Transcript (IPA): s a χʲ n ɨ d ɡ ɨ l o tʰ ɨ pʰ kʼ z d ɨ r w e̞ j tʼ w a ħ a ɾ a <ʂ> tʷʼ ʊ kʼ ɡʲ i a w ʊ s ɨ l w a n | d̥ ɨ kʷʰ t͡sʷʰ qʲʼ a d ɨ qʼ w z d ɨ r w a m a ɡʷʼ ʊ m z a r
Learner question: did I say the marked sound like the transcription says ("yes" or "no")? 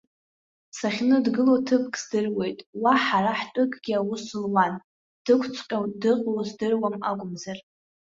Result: no